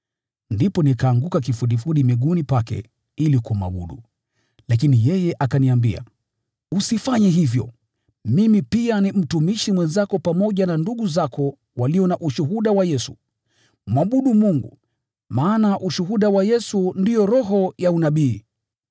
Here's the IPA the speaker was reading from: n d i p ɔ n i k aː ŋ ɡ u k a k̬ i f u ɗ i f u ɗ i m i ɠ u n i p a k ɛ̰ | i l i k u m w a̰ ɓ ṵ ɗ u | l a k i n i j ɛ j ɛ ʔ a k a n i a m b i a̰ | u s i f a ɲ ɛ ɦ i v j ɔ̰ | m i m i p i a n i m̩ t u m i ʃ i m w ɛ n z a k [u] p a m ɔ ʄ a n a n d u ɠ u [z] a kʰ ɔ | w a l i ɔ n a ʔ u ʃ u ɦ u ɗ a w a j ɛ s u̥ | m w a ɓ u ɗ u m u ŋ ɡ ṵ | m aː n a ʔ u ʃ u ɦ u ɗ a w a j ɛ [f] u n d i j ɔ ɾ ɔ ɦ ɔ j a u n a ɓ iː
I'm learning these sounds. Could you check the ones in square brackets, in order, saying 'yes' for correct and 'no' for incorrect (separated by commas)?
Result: no, yes, no